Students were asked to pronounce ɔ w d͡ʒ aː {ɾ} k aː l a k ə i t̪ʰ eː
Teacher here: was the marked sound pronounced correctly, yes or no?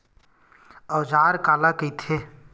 yes